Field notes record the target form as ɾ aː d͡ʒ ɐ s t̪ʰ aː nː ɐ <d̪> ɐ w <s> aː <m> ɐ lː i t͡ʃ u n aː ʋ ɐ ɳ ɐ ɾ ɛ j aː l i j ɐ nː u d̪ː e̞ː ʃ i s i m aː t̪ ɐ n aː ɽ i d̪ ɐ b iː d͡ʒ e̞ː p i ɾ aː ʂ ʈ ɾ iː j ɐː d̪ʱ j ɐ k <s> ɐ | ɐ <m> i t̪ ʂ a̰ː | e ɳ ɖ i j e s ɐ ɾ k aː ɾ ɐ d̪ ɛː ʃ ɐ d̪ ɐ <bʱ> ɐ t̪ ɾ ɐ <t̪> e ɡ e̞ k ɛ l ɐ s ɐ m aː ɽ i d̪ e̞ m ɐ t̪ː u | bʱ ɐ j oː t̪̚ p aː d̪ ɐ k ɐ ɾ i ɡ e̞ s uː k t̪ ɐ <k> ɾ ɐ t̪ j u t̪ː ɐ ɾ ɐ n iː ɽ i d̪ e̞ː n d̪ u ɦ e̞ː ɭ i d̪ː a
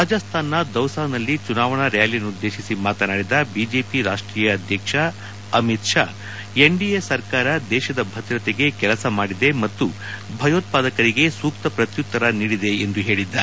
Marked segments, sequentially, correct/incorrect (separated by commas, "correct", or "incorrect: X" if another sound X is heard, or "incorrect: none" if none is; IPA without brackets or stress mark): correct, correct, incorrect: n, incorrect: ʂ, correct, correct, correct, incorrect: p